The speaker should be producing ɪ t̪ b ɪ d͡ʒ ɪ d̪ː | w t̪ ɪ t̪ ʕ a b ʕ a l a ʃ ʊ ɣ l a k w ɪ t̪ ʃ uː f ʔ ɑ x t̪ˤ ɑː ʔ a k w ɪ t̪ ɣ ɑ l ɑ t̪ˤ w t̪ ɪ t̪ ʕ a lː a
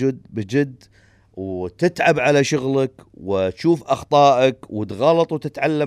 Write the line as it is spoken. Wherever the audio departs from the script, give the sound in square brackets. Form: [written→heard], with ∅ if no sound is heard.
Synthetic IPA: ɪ [t̪→d̪] b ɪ d͡ʒ ɪ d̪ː | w t̪ ɪ t̪ ʕ a b ʕ a l a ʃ ʊ ɣ l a k w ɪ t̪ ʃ uː f ʔ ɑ x t̪ˤ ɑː ʔ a k w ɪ t̪ ɣ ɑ l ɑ t̪ˤ w t̪ ɪ t̪ ʕ a lː a